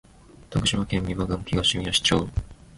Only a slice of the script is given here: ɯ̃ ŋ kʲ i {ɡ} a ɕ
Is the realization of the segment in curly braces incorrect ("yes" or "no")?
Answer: no